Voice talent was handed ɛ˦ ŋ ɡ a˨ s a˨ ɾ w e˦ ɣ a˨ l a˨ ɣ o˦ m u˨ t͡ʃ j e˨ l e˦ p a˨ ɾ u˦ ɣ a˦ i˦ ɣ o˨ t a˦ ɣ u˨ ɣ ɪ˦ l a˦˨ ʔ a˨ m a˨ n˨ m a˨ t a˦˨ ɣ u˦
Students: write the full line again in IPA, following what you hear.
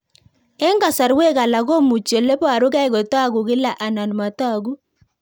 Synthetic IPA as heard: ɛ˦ ŋ ɡ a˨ s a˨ ɾ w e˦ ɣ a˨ l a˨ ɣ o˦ m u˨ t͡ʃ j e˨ l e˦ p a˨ ɾ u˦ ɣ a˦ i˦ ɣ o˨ t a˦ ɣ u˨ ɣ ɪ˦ l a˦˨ ʔ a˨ n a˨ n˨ m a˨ t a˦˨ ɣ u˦